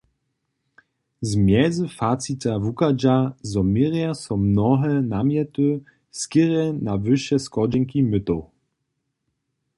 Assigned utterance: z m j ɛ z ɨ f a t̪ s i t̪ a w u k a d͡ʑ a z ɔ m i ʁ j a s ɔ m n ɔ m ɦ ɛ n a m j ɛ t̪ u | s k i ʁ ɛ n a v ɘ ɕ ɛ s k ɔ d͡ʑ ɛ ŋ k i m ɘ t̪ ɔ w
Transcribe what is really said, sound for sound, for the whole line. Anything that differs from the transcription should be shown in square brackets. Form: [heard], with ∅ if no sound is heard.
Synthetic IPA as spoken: z m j ɛ z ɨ f a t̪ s i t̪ a [v] u k a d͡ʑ a z ɔ m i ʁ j a s ɔ m n ɔ [∅] ɦ ɛ n a m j ɛ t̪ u | s k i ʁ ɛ n a v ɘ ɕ ɛ s k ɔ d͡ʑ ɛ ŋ k i m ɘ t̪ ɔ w